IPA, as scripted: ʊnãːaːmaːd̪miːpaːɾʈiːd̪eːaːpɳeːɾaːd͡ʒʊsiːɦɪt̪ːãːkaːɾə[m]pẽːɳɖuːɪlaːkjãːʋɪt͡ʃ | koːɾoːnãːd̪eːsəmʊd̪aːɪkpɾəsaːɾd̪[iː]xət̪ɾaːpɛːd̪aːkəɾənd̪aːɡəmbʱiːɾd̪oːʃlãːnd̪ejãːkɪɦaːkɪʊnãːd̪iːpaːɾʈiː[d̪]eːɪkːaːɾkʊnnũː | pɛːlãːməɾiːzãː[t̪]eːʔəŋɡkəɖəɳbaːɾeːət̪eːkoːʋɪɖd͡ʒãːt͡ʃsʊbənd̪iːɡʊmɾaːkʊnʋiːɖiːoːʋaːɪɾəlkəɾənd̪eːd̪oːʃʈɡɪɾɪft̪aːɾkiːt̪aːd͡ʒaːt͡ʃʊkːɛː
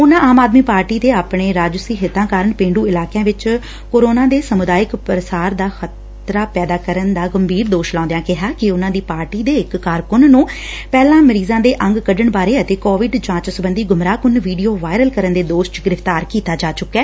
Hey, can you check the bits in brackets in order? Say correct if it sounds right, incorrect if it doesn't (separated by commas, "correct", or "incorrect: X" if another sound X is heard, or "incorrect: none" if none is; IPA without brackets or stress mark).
incorrect: ɳ, incorrect: aː, correct, incorrect: d̪